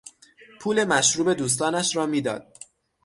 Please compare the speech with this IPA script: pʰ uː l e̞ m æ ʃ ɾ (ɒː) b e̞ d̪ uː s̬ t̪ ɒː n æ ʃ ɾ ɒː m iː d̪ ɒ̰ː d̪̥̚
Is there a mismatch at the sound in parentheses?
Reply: yes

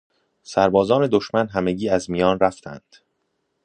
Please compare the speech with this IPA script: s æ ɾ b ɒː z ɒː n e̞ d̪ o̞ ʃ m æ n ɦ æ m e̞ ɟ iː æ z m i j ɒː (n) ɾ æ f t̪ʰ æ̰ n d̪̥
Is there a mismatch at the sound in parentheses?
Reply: no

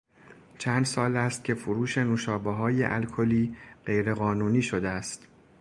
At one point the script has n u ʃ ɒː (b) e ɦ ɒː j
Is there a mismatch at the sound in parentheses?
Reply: no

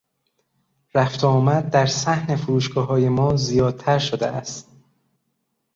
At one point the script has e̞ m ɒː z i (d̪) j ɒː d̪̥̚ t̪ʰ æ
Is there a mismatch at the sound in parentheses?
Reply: yes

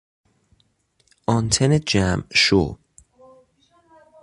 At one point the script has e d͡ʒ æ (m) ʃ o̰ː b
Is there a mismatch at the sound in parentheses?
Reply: no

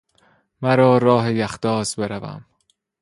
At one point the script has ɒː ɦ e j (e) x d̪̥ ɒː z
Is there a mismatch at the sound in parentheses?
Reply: yes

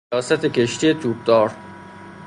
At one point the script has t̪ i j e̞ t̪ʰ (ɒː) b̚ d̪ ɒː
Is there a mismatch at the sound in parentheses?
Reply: yes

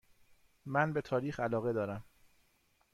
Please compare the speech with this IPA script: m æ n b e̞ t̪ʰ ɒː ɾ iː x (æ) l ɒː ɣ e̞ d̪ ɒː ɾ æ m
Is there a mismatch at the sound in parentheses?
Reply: no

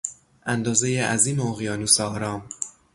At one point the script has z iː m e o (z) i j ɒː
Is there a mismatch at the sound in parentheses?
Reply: yes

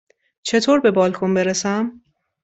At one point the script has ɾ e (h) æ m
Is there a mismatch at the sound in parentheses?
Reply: yes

